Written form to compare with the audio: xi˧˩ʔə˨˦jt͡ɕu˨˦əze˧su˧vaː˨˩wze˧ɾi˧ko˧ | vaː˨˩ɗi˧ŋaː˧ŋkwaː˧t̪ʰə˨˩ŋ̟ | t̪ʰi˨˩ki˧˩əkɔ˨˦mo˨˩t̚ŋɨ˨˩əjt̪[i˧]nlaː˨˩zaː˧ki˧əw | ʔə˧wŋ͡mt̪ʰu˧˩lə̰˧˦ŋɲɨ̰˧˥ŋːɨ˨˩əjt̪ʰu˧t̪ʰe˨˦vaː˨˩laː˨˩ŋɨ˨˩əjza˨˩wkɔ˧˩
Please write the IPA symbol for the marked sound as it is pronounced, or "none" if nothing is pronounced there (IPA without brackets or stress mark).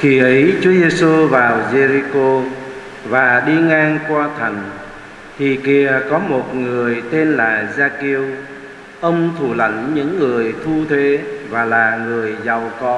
e˧